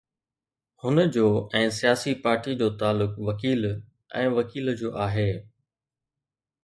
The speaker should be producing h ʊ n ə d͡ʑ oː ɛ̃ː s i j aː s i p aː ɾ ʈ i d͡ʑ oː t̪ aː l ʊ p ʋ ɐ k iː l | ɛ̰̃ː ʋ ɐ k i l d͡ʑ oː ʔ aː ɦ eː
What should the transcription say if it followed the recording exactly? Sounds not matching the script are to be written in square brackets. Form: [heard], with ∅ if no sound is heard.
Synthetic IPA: h ʊ n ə d͡ʑ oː ɛ̃ː s i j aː s i p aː ɾ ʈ i d͡ʑ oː t̪ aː l ʊ [k] ʋ ɐ k iː l | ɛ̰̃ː ʋ ɐ k [iː] l d͡ʑ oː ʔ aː ɦ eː